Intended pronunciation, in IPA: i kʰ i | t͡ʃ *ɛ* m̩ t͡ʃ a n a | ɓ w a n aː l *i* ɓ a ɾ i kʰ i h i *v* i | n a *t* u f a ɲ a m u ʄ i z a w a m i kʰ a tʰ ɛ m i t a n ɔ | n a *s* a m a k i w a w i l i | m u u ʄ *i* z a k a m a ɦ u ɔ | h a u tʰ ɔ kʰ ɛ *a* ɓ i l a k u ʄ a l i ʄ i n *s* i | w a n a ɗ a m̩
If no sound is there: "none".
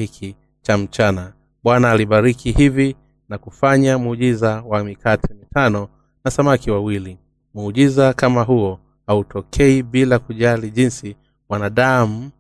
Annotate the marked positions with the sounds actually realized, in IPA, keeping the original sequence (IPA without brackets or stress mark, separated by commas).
a, i, v, k, s, i, i, s